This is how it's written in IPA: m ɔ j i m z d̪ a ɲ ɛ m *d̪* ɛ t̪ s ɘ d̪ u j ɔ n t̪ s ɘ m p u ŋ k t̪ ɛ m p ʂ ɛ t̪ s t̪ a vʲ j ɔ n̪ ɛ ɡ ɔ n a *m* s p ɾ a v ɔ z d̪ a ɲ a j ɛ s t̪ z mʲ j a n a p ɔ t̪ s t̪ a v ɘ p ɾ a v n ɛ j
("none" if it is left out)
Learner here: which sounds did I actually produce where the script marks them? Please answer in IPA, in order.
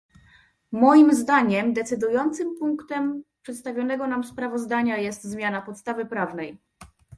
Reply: d̪, m

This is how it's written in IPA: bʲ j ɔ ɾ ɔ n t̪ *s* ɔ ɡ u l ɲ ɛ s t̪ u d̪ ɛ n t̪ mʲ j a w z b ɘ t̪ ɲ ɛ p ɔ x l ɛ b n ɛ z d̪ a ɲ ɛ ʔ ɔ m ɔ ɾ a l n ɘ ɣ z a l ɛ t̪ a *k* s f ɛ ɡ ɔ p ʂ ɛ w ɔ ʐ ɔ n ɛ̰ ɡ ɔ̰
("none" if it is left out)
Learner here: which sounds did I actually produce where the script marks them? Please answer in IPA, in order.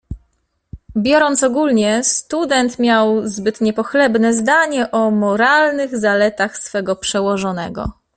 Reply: s, x

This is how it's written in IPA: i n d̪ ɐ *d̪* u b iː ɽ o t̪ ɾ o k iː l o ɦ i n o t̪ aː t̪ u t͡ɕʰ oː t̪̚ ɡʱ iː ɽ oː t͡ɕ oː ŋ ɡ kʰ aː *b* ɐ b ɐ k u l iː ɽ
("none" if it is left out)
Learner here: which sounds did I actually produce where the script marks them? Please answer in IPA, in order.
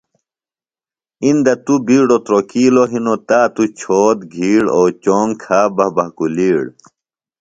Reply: t̪, b

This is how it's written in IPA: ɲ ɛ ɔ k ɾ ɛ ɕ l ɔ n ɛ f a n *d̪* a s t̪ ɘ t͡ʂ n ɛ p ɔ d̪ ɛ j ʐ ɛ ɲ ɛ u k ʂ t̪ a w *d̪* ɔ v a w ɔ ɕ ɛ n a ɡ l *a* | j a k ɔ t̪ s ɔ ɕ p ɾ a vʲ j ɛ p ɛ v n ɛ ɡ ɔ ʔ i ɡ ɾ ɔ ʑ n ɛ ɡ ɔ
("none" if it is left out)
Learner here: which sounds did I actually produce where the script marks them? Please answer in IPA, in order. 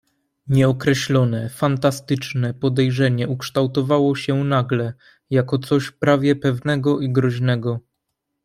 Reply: t̪, t̪, ɛ

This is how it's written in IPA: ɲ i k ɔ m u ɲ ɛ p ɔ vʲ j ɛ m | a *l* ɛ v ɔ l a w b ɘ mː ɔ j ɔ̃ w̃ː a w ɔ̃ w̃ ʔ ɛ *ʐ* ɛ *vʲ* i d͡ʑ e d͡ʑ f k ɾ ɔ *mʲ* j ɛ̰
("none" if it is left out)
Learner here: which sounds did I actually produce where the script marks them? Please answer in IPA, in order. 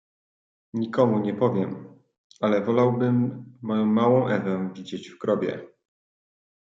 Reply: l, v, vʲ, bʲ

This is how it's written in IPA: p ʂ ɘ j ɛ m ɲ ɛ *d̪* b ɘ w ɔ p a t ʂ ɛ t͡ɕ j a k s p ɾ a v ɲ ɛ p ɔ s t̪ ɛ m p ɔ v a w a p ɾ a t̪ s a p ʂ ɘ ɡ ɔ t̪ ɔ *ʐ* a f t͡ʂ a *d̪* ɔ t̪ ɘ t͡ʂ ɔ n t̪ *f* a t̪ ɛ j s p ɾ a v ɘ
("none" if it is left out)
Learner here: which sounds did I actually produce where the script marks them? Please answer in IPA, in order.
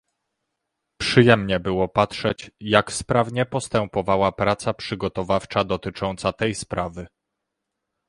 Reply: none, v, d̪, s

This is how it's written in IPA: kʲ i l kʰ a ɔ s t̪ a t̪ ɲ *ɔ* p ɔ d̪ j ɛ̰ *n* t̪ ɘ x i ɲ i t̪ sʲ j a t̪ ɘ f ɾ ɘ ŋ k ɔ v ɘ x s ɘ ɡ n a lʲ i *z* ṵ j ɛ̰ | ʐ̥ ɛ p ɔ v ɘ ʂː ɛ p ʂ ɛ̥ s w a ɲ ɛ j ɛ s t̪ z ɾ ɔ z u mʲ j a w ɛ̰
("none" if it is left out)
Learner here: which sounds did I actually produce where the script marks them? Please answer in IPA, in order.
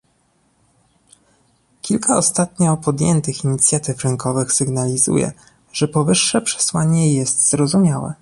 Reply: ɔ, n, z

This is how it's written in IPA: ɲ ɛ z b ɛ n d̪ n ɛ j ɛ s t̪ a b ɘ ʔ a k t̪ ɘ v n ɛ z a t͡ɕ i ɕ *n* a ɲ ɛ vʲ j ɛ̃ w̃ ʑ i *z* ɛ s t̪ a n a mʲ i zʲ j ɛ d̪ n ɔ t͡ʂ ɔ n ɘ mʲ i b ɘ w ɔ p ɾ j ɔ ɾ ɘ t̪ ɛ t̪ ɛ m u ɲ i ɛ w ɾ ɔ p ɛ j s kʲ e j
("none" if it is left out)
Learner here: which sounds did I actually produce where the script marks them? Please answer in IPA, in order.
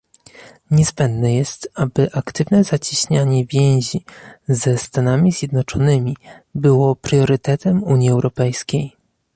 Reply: ɲ, z

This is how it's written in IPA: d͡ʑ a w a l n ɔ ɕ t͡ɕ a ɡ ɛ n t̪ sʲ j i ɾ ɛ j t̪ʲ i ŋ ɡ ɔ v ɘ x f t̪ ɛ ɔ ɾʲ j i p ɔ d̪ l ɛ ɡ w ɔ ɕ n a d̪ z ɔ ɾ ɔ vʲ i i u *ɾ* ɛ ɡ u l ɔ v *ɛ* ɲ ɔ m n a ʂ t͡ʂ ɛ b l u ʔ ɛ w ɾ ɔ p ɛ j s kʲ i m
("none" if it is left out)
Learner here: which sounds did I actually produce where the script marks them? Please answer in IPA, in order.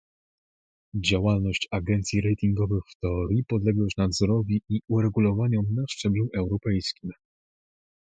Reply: ɾ, a

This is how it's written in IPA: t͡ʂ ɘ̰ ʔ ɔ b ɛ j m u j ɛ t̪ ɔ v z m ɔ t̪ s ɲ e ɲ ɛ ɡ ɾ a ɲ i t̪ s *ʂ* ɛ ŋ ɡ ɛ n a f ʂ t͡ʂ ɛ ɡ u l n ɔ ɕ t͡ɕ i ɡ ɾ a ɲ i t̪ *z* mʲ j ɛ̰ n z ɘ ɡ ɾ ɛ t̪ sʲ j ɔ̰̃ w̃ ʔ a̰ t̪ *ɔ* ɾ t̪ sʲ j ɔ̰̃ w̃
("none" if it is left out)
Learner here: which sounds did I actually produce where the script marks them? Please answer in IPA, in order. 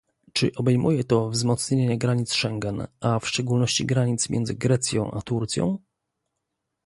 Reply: ʂ, s, u

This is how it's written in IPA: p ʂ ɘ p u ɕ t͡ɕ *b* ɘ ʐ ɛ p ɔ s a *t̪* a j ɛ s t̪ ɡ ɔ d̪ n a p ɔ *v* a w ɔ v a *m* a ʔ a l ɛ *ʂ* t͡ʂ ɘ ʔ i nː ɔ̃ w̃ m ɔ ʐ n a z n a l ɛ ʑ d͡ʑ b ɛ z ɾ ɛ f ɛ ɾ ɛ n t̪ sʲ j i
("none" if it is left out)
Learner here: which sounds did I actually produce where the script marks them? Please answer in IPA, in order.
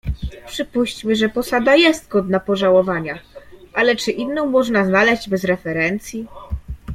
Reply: m, d̪, ʐ, ɲ, none

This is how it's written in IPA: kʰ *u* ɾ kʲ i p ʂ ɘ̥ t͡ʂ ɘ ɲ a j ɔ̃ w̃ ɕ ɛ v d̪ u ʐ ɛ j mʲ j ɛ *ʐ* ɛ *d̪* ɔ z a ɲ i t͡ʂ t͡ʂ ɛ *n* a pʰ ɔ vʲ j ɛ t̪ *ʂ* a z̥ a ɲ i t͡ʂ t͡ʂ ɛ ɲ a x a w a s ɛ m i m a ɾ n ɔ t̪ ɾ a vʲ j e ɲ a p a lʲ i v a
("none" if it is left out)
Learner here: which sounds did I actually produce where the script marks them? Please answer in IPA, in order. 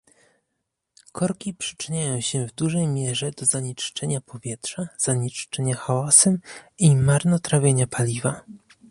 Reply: ɔ, ʐ, d̪, ɲ, ʂ

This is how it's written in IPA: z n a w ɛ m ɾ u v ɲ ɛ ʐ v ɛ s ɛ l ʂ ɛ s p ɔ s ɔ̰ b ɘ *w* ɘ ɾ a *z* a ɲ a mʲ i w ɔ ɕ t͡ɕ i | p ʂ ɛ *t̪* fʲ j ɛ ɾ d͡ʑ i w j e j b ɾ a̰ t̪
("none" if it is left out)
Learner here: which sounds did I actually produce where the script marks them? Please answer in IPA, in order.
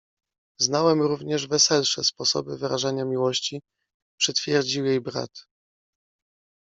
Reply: v, ʐ, t̪

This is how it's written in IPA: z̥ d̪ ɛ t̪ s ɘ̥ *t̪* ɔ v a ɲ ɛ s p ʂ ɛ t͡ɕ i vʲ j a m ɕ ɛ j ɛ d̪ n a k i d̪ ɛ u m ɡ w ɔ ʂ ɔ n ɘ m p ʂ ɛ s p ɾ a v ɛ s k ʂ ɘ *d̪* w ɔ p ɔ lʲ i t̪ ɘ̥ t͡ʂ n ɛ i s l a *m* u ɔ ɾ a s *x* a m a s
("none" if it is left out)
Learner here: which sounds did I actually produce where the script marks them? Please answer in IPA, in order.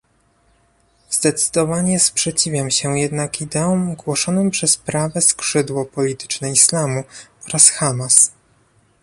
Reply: d̪, d̪, m, x

